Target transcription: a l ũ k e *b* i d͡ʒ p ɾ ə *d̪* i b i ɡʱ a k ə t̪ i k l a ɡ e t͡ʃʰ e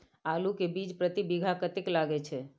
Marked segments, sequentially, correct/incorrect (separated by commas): correct, incorrect